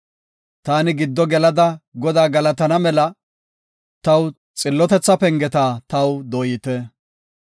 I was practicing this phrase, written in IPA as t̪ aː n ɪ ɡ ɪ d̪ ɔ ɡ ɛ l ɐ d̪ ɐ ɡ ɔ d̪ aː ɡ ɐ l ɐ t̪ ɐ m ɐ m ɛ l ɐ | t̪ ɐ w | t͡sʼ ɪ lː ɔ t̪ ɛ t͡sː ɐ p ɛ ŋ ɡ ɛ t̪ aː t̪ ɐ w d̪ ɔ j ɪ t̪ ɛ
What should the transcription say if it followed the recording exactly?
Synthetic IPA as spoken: t̪ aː n ɪ ɡ ɪ d̪ː ɔ ɡ ɛ l ɐ d̪ ɐ ɡ ɔ d̪ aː ɡ ɐ l ɐ t̪ ɐ n ɐ m ɛ l ɐ | t̪ ɐ w | t͡sʼ ɪ lː ɔ t̪ ɛ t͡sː ɐ p ɛ ŋ ɡ ɛ t̪ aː t̪ ɐ w d̪ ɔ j ɪ t̪ ɛ